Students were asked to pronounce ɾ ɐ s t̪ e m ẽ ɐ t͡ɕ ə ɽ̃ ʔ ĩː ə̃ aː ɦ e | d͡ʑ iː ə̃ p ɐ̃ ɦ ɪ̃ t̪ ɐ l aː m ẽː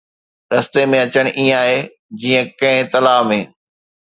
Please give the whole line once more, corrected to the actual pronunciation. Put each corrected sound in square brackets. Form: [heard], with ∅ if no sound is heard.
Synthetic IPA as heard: ɾ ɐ s t̪ e m ẽ ɐ t͡ɕ ə ɽ̃ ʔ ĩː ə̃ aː ɦ e | d͡ʑ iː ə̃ [k] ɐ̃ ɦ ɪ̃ t̪ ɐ l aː m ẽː